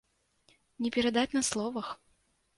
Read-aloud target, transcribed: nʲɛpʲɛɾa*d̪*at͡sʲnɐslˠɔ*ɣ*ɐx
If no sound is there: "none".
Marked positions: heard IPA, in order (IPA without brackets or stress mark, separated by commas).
d̪, v